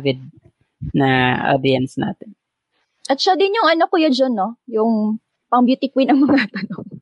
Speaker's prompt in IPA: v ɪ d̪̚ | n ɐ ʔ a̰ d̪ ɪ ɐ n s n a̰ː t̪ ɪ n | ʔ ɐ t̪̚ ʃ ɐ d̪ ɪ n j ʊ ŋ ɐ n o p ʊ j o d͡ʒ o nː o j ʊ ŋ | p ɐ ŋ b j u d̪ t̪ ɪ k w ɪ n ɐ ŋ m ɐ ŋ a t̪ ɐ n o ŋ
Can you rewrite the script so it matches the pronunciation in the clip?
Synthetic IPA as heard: v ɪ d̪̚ | n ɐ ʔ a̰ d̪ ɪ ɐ n s n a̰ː t̪ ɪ n | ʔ ɐ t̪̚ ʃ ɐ d̪ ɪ n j ʊ ŋ ɐ n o k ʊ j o d͡ʒ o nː o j ʊ ŋ | p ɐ ŋ b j u t̪ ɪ k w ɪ n ɐ ŋ m ɐ ŋ a t̪ ɐ n o ŋ